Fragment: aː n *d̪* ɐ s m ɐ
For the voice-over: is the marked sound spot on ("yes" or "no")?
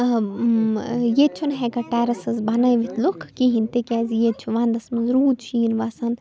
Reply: yes